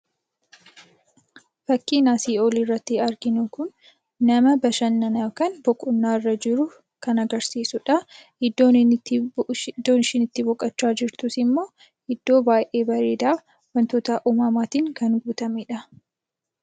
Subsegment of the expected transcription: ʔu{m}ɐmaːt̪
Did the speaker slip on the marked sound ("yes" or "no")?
no